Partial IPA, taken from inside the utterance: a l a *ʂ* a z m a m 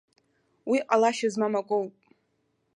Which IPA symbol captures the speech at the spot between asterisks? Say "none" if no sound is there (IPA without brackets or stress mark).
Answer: ʃ